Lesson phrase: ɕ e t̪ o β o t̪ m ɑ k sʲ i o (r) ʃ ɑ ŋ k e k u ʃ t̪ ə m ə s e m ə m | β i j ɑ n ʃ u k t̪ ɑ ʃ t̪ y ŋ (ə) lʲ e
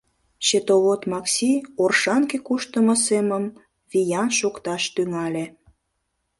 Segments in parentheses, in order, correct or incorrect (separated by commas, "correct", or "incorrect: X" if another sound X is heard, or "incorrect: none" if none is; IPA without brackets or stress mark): correct, incorrect: ɑ